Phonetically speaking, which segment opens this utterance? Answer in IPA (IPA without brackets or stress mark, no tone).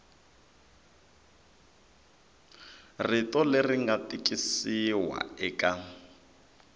r